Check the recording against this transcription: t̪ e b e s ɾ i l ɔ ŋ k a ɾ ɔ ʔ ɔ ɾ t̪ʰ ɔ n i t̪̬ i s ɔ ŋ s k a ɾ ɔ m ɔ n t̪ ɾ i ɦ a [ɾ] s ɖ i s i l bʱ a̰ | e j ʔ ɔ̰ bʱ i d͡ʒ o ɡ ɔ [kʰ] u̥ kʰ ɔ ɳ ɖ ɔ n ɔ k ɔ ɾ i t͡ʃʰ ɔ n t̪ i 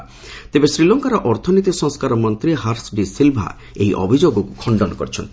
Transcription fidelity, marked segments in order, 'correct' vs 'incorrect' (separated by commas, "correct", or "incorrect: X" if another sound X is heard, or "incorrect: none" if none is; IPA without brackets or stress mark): correct, incorrect: k